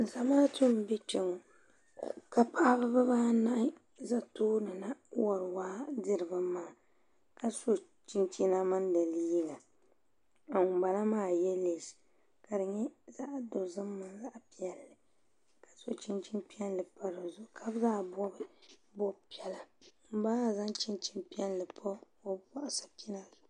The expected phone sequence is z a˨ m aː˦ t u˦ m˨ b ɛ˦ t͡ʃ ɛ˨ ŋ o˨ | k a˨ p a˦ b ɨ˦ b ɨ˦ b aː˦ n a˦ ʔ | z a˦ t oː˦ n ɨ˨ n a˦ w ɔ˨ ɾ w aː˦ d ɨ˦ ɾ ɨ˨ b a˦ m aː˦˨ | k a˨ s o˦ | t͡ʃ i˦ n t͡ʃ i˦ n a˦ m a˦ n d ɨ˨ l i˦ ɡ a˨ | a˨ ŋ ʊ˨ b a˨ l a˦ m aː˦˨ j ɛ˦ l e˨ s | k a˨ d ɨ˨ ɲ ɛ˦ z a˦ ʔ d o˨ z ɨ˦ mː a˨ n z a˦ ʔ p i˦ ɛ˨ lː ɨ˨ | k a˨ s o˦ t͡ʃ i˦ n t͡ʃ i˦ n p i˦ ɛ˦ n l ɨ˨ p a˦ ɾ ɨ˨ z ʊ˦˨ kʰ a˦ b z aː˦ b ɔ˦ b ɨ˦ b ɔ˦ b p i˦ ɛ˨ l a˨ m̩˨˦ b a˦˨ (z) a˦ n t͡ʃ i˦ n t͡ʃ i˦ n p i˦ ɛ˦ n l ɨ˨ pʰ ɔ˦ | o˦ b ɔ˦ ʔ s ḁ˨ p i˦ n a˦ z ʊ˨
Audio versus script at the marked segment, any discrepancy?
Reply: no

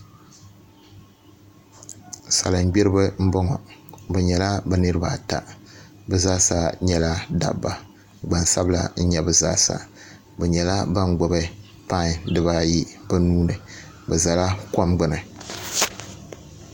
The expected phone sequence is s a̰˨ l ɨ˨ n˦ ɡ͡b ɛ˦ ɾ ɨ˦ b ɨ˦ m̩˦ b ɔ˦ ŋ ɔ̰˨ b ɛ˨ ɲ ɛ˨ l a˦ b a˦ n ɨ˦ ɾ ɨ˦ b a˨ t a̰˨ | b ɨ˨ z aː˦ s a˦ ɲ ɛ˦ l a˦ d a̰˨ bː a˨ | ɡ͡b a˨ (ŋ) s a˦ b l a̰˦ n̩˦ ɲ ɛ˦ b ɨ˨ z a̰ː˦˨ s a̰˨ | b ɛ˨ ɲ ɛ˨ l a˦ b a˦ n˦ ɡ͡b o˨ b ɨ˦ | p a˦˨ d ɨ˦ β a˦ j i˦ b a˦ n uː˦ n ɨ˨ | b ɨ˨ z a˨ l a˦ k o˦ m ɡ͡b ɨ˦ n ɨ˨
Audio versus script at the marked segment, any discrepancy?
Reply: yes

